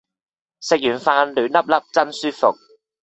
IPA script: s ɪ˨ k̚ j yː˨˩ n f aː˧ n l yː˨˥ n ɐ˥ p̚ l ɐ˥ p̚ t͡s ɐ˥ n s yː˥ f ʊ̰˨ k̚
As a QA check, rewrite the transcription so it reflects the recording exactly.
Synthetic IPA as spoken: s ɪ˨ k̚ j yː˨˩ n f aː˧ n l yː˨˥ n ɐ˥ p̚ l ɐ˥ p̚ t͡s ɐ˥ n s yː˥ f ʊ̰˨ k̚